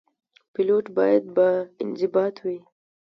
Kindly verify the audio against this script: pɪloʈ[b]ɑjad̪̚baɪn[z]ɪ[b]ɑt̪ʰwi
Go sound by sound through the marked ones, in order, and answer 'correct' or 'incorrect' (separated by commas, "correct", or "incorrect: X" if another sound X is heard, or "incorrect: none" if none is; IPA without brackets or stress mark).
correct, correct, correct